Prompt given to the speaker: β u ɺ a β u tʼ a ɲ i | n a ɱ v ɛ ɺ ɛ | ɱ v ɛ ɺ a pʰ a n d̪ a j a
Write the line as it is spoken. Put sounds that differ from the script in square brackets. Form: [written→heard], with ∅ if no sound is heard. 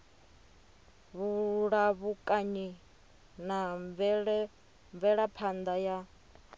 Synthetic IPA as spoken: β u ɺ a β u [tʼ→kʼ] a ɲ i | n a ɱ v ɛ ɺ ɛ | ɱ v ɛ ɺ a pʰ a n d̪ a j a